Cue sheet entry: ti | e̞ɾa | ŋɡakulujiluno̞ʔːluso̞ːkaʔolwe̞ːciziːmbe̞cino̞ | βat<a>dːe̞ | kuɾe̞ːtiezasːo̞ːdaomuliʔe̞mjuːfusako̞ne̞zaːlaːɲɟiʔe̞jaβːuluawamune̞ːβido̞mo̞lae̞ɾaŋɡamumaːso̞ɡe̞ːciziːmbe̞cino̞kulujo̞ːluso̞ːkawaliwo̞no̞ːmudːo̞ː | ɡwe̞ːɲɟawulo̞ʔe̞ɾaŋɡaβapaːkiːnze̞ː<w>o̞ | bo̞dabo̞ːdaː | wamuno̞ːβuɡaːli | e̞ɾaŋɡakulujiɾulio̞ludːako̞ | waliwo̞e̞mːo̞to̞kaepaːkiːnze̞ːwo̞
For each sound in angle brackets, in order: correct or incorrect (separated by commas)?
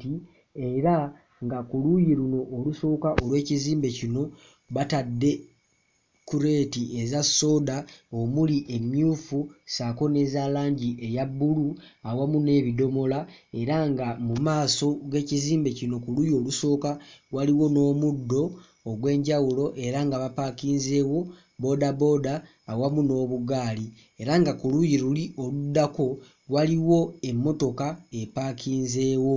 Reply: correct, correct